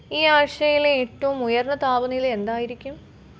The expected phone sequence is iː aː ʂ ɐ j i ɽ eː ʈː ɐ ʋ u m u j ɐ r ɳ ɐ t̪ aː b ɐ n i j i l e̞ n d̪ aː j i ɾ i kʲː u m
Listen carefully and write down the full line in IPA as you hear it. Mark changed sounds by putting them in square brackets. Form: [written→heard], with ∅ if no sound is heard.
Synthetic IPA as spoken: iː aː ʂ ɐ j i [ɽ→l] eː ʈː ɐ ʋ u m u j ɐ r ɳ ɐ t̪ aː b ɐ n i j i l e̞ n d̪ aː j i ɾ i kʲː u m